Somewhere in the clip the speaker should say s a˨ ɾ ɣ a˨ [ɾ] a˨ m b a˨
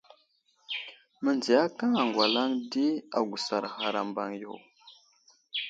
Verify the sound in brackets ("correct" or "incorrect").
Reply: correct